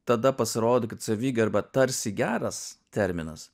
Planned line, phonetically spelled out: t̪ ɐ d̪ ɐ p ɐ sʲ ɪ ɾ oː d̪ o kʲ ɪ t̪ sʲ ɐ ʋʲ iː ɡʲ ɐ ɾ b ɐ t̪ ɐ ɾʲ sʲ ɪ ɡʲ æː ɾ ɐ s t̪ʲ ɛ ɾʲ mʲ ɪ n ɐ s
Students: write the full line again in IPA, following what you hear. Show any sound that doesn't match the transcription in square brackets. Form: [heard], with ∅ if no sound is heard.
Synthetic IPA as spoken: t̪ ɐ d̪ ɐ p ɐ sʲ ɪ ɾ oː d̪ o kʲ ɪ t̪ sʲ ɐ ʋʲ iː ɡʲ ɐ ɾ b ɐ t̪ ɐ ɾʲ sʲ ɪ ɡʲ æː ɾ ɐ s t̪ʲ ɛ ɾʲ mʲ ɪ n ɐ s